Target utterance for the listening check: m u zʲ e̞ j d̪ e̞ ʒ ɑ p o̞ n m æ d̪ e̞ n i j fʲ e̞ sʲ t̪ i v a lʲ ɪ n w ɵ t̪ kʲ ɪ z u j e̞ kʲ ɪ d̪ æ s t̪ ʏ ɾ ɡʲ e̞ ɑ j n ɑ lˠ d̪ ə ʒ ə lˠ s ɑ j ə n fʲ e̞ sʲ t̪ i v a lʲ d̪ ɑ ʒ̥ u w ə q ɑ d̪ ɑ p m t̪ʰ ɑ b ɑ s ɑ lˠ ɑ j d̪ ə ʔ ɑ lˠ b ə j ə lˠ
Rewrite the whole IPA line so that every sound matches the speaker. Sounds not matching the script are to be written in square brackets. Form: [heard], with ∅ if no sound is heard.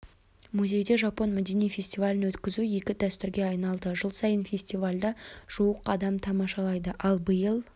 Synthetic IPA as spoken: m u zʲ e̞ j d̪ e̞ ʒ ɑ p o̞ n m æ d̪ e̞ n i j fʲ e̞ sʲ t̪ i v a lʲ ɪ n w ɵ t̪ kʲ ɪ z u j e̞ kʲ ɪ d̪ æ s t̪ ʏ ɾ ɡʲ e̞ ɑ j n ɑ lˠ d̪ ə ʒ ə lˠ s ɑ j ə n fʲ e̞ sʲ t̪ i v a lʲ d̪ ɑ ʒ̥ u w ə q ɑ d̪ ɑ [∅] m t̪ʰ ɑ [m] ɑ [ʃ] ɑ lˠ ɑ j d̪ ə ʔ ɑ lˠ b ə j ə lˠ